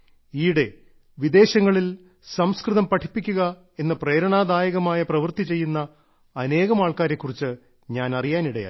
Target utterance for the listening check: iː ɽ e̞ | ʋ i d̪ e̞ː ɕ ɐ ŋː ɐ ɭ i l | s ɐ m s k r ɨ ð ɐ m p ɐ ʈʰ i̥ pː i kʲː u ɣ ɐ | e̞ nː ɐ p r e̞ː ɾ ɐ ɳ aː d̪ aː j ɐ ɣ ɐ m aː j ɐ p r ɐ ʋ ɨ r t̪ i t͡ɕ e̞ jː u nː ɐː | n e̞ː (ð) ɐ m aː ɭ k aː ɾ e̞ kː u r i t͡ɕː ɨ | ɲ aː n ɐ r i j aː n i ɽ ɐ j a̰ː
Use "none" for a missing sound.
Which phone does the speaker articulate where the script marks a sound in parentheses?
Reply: ɣ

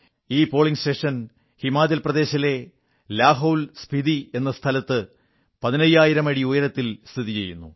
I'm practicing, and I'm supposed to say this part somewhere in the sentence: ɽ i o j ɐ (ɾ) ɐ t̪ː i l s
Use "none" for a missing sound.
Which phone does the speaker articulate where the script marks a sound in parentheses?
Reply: ɾ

